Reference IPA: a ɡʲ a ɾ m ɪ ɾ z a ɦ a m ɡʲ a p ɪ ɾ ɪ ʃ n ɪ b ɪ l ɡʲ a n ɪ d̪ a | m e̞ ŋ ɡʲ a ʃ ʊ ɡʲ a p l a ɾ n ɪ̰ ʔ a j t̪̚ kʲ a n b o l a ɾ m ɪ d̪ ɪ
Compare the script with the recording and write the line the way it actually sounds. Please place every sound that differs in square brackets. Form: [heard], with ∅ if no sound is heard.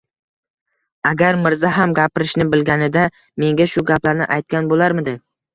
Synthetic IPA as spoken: a ɡʲ a ɾ m ɪ ɾ z a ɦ a m ɡʲ a p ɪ ɾ ɪ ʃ n ɪ b ɪ l ɡʲ a n ɪ d̪ a | m e̞ ŋ ɡʲ a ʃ ʊ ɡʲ a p l a ɾ n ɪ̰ ʔ a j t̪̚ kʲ a n b o l a ɾ m ɪ d̪ ɪ